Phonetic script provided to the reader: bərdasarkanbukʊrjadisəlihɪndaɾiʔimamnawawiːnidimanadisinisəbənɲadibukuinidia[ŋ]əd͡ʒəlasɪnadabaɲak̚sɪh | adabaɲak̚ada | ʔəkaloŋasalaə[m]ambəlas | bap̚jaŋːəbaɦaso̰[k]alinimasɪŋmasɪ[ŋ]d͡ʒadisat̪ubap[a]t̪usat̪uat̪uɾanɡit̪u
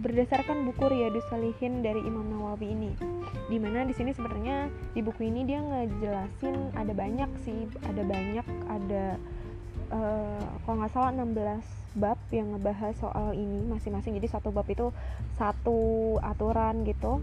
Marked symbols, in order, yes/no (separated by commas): yes, no, no, yes, no